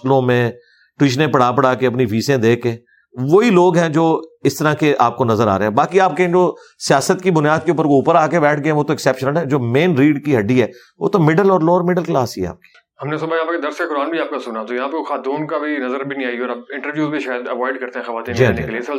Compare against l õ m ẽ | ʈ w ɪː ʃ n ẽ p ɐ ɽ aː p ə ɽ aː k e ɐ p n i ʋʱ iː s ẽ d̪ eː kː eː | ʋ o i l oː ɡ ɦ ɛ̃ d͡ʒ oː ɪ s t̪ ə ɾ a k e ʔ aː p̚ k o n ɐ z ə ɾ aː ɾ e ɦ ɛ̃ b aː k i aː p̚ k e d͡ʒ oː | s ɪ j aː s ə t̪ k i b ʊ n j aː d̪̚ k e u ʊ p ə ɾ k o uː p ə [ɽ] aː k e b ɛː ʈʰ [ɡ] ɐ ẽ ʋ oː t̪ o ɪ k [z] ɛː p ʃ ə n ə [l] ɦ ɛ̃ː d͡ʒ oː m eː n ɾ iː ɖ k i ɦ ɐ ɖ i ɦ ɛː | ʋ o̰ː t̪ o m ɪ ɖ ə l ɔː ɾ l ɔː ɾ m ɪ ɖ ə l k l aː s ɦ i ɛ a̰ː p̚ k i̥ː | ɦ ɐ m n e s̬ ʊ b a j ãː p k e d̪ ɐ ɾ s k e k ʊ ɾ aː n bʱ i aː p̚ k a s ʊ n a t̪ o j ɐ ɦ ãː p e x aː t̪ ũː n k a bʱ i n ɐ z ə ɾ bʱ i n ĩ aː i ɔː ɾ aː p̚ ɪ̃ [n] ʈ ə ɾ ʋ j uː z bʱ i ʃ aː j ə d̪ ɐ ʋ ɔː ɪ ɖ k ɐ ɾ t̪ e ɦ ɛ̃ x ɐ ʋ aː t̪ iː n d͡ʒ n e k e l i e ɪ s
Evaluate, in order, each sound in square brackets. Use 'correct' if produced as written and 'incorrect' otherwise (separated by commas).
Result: incorrect, correct, incorrect, correct, incorrect